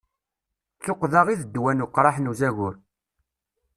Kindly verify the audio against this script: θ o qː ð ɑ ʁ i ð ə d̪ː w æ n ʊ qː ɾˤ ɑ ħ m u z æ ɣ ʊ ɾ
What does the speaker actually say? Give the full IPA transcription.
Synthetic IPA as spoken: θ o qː ð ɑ ʁ i ð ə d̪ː w æ n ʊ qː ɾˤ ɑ ħ n u z æ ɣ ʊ ɾ